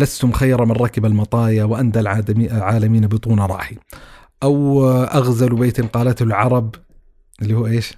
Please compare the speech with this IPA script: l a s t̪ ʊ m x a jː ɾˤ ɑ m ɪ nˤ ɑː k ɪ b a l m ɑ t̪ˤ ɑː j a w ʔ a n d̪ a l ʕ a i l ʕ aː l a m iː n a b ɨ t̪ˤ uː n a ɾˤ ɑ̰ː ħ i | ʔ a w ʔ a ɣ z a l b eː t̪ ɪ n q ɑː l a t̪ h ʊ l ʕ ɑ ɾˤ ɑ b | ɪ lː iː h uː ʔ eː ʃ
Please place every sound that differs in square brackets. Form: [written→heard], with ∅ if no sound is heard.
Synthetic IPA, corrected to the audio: l a s t̪ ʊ m x a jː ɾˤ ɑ m ɪ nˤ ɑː k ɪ b a l m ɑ t̪ˤ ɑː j a w ʔ a n d̪ a l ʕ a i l ʕ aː l a m iː n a b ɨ t̪ˤ uː n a ɾˤ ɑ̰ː ħ i | ʔ a w ʔ a ɣ z a l b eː t̪ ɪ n q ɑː l a t̪ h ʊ l ʕ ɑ ɾˤ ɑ b | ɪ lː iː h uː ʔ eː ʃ